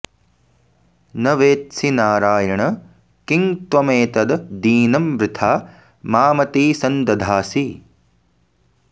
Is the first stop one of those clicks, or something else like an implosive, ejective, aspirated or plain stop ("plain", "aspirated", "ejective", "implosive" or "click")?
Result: plain